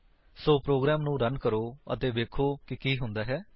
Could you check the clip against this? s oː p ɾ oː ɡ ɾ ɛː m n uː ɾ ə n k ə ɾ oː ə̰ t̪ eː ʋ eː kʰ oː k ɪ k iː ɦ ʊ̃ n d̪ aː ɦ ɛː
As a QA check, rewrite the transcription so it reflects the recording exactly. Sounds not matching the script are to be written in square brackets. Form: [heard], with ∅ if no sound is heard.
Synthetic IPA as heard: s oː p ɾ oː ɡ ɾ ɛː m n [ũː] ɾ ə n k ə ɾ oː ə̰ t̪ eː ʋ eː kʰ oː k ɪ k iː ɦ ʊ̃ n d̪ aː ɦ ɛː